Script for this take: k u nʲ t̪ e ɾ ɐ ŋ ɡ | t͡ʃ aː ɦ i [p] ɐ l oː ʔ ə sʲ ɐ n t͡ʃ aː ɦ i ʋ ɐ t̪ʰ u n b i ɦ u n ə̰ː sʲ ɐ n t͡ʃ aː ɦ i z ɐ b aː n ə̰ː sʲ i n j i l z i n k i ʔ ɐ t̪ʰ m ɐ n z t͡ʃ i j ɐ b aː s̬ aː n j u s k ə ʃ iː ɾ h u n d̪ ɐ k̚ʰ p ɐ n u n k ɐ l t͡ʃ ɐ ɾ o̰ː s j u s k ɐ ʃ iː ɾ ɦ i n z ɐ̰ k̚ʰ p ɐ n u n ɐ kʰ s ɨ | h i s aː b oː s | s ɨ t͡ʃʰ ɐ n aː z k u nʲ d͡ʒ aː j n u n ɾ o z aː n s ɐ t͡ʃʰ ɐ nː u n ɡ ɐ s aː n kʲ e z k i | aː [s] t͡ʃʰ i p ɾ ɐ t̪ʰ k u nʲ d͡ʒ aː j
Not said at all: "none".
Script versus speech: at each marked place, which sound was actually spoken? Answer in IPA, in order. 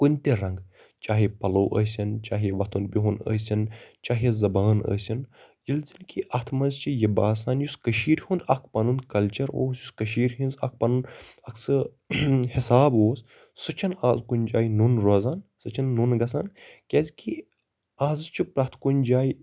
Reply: p, z

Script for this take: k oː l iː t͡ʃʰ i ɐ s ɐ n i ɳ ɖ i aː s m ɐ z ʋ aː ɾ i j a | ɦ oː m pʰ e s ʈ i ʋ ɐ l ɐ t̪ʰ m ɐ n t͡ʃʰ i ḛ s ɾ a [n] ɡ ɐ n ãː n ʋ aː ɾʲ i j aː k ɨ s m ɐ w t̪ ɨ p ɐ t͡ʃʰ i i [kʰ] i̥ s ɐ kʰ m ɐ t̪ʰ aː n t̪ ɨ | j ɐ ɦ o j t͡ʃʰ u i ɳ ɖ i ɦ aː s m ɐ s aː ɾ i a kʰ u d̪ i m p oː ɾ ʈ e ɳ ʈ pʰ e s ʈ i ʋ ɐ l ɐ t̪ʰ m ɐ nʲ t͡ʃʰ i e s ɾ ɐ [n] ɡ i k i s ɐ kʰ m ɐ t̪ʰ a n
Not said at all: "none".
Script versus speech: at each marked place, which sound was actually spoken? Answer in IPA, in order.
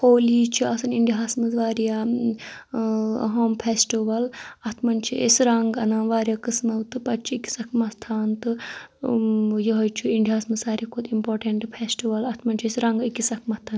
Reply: ŋ, k, ŋ

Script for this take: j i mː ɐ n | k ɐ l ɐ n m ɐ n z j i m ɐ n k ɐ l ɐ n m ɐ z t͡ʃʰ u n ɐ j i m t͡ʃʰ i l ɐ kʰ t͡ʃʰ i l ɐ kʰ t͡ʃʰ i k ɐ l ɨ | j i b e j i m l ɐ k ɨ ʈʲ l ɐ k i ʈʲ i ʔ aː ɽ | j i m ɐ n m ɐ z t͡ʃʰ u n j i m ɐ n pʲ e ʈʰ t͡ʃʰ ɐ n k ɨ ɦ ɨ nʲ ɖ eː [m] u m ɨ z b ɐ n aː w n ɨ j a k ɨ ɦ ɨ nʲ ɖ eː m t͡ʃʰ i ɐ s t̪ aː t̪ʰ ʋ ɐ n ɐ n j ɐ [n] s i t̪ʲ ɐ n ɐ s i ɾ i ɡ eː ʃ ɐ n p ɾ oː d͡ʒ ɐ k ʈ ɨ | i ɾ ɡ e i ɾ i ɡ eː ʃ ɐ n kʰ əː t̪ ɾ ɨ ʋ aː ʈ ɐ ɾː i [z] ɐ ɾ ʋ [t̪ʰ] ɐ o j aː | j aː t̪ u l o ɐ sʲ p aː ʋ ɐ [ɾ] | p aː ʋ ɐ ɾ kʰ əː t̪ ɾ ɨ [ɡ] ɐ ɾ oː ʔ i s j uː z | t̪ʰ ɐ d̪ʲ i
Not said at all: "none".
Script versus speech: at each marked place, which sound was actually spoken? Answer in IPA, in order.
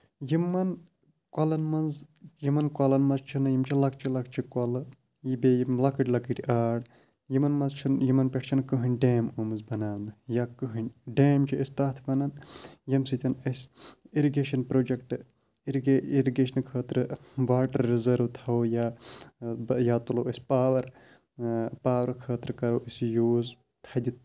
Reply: m, m, z, t̪ʰ, ɾ, k

